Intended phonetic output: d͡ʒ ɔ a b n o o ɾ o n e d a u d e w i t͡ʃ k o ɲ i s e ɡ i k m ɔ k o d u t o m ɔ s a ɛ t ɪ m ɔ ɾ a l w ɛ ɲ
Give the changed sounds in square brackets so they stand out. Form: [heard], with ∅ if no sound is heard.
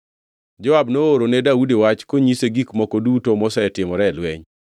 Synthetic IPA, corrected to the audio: d͡ʒ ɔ a b n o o ɾ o n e d a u d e w [a] t͡ʃ k o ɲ i s e ɡ i k m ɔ k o d u t o m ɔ s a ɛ t ɪ m ɔ ɾ [ɛ] l w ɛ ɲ